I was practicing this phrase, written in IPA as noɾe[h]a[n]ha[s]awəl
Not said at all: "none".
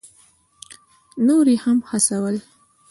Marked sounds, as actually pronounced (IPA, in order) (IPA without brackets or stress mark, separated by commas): h, m, s